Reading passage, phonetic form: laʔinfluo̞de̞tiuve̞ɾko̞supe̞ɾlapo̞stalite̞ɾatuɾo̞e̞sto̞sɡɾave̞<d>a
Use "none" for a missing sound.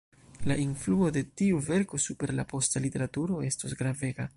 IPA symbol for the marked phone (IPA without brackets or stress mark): ɡ